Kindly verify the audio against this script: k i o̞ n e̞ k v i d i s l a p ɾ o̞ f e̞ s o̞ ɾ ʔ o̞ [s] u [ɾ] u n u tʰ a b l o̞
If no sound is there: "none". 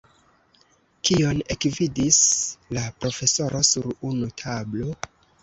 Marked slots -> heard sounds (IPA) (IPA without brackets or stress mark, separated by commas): s, ɾ